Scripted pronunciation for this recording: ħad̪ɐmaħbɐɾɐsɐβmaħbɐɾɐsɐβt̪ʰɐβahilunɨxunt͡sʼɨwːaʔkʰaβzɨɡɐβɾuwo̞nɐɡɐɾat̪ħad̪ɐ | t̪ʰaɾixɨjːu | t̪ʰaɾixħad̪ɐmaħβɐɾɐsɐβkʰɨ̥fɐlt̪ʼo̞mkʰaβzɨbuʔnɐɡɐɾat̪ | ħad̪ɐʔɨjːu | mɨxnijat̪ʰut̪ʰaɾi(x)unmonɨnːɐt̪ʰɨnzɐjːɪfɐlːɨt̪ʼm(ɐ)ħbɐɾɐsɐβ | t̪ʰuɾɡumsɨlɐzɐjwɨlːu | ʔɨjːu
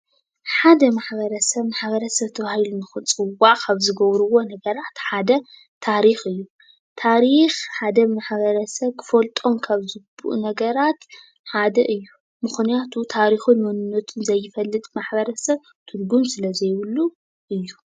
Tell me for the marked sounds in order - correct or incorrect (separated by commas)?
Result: correct, incorrect